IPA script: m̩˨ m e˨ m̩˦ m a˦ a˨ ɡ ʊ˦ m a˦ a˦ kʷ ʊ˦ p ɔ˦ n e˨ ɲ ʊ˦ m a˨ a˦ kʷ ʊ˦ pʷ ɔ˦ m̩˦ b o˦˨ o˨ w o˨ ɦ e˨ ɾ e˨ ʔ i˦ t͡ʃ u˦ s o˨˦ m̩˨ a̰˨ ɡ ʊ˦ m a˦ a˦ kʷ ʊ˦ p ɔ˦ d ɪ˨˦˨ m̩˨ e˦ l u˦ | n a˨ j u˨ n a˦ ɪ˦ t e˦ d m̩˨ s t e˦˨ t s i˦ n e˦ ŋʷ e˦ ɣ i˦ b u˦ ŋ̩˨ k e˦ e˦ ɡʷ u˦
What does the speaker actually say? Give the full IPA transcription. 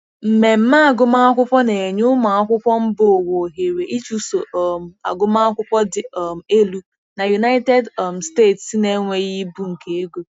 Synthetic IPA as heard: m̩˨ m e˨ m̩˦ m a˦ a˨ ɡ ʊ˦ m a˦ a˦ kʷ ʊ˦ p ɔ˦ n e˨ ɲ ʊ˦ m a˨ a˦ kʷ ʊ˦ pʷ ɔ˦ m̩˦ b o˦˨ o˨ w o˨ ɦ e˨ ɾ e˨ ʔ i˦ t͡ʃ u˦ s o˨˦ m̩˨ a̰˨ ɡ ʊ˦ m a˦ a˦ kʷ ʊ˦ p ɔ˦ d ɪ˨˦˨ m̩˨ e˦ l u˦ | n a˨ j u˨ n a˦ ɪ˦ t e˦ d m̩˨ s t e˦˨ t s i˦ n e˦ ŋʷ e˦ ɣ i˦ b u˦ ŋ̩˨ k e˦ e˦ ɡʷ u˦